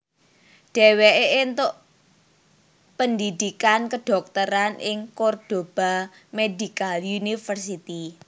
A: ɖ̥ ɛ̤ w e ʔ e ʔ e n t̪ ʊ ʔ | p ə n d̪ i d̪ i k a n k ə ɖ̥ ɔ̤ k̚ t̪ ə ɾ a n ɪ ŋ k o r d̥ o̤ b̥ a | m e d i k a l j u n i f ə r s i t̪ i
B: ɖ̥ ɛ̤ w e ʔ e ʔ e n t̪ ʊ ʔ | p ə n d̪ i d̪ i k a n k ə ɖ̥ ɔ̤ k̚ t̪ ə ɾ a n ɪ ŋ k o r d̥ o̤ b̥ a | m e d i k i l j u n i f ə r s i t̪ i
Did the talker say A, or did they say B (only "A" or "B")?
A